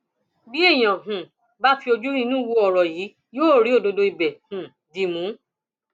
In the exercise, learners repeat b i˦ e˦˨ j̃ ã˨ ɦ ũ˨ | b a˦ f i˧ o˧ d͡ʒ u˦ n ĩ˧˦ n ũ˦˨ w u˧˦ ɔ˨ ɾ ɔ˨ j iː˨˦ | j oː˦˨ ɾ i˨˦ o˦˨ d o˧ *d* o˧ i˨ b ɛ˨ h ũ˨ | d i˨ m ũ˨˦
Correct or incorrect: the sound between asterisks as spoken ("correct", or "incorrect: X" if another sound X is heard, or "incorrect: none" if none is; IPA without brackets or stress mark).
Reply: correct